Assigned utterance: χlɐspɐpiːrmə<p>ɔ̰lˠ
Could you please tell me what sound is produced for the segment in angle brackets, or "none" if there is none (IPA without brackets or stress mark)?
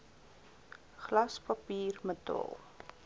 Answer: t